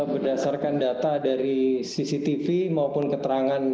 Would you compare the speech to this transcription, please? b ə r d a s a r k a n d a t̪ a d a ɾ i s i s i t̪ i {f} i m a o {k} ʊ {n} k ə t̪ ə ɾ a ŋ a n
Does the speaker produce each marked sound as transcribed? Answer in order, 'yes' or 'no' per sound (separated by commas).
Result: yes, no, yes